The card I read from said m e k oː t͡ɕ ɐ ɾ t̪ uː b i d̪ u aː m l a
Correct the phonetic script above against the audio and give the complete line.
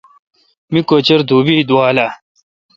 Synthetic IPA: m i k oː t͡ɕ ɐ ɾ d̪ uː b i d̪ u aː l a